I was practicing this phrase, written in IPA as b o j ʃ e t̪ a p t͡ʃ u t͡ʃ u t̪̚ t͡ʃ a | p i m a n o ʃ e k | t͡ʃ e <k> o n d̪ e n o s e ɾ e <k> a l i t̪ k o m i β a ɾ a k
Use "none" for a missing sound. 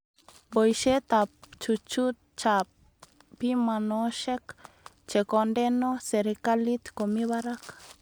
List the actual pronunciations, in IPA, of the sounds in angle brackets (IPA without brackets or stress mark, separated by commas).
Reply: k, k